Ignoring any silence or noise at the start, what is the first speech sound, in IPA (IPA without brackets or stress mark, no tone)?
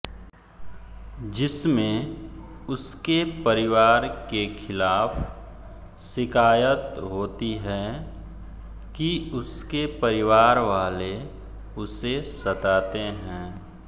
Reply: d͡ʒ